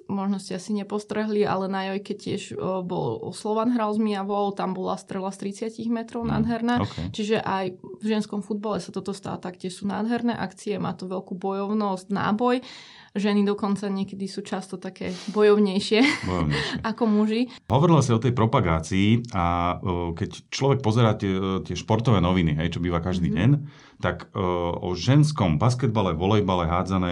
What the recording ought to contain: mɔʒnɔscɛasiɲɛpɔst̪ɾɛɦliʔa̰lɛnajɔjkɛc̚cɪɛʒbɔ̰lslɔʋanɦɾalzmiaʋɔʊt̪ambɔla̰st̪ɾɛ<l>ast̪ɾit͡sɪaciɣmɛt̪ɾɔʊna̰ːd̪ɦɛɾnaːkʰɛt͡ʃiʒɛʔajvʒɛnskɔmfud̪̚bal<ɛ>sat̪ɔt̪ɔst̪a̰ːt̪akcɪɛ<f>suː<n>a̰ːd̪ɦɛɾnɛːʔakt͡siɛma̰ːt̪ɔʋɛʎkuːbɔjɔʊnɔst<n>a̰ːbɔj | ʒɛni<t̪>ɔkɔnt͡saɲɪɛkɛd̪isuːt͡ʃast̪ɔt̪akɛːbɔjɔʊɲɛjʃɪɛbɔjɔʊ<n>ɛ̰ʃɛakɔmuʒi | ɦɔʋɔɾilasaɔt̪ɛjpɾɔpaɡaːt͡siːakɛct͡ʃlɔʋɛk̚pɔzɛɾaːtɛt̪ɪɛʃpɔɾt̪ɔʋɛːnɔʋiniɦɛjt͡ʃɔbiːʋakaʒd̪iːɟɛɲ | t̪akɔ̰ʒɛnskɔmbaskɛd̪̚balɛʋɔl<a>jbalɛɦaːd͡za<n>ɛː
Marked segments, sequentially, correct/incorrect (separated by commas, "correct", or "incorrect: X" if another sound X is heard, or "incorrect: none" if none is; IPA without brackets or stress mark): correct, correct, incorrect: ʃ, correct, correct, incorrect: d̪, incorrect: ɲ, incorrect: ɛ, correct